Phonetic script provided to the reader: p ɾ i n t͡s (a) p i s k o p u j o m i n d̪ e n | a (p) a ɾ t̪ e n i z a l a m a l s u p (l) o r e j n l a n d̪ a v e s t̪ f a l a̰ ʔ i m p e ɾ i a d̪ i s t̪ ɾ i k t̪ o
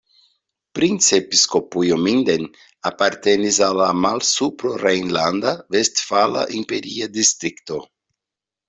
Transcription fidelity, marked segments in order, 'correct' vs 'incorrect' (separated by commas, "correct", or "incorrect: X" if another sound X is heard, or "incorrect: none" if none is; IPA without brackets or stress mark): incorrect: e, correct, incorrect: ɾ